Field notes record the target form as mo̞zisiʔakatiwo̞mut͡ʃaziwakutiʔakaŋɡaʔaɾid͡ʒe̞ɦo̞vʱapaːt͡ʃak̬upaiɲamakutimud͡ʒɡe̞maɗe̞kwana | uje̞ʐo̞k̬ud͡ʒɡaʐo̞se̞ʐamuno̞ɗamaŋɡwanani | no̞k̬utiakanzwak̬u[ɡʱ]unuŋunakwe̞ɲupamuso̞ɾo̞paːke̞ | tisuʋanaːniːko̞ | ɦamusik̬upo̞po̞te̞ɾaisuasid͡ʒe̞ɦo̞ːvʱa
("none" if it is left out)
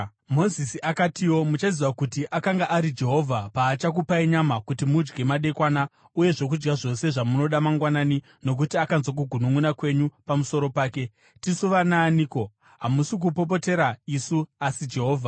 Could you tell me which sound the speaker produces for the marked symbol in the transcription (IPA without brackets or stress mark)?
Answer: ɡʱ